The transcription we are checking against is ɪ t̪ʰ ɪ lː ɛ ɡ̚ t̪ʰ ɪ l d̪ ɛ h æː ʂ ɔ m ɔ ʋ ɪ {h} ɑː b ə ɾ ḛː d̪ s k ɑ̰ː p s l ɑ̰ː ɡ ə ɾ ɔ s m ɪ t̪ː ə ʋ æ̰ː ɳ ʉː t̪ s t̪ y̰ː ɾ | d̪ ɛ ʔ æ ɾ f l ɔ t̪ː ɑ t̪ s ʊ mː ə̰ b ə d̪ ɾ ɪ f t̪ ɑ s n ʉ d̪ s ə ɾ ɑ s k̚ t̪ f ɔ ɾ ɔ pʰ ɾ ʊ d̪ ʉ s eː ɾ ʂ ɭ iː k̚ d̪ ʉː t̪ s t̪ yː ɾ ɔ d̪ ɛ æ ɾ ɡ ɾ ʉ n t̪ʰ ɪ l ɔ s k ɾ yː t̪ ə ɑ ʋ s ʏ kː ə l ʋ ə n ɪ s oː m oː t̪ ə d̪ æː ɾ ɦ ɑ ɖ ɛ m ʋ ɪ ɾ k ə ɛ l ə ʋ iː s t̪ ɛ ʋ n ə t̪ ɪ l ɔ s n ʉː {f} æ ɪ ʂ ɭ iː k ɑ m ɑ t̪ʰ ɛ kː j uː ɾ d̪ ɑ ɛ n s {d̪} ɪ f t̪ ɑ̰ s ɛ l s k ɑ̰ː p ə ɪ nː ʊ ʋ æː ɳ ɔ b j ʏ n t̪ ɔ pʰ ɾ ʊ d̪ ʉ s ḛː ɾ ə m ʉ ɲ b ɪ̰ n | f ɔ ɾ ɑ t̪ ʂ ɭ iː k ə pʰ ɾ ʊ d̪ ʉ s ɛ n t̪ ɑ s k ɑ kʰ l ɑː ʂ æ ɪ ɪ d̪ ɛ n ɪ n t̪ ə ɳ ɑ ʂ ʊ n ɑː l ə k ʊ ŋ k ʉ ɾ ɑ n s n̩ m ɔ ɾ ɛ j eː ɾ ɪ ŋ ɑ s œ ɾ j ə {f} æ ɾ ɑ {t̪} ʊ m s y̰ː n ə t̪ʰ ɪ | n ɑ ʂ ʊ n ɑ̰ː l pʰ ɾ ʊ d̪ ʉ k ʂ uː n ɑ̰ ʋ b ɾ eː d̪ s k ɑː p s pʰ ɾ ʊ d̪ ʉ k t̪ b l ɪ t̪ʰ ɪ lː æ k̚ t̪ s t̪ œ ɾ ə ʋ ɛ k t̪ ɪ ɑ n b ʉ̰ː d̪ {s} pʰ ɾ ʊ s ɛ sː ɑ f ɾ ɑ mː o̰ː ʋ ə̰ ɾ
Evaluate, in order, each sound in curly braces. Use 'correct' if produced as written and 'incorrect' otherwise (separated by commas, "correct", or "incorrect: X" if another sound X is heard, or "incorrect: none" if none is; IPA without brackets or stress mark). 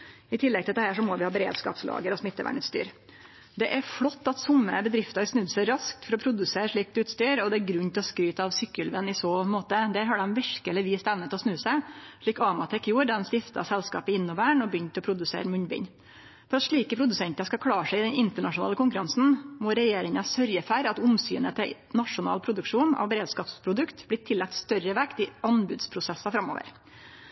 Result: correct, incorrect: s, incorrect: t̪, correct, correct, correct